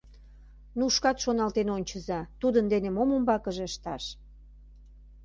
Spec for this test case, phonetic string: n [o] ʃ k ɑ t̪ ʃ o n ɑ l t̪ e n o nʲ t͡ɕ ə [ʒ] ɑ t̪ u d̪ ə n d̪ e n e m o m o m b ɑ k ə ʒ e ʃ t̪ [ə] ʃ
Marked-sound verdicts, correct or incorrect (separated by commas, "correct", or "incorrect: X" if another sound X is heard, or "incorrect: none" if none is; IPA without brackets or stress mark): incorrect: u, incorrect: z, incorrect: ɑ